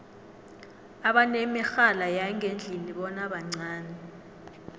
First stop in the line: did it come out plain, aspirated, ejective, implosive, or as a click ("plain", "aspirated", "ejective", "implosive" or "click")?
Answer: implosive